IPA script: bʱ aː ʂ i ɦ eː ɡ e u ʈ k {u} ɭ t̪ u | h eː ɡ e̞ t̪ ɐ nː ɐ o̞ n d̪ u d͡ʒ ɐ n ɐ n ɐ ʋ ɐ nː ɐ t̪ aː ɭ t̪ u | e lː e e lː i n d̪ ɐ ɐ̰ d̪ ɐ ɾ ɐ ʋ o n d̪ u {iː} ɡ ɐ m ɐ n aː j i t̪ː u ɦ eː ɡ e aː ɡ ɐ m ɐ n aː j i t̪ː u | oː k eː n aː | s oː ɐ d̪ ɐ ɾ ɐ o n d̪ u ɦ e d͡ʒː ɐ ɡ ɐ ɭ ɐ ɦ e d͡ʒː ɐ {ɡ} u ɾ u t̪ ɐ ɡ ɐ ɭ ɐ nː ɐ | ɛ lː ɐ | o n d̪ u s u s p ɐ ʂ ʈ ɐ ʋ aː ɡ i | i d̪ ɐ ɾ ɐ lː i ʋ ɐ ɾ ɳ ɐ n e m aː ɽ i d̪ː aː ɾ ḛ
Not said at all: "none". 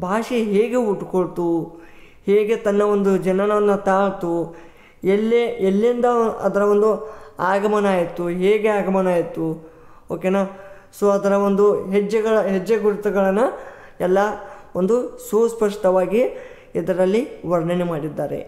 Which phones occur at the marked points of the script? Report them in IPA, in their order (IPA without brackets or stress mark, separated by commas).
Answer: o, aː, ɡ